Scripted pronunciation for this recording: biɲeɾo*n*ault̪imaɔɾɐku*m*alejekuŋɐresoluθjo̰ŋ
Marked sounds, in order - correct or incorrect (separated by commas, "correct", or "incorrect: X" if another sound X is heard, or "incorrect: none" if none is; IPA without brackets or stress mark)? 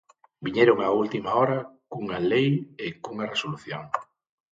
incorrect: ŋ, incorrect: ŋ